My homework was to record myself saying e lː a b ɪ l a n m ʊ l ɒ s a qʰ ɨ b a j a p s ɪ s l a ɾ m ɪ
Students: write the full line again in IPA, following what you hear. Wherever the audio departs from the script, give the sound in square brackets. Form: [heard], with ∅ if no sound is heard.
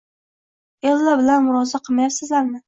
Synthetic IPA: e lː a b ɪ l a n m ʊ [ɾ] ɒ [z] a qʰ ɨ [m] a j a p s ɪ [z] l a ɾ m ɪ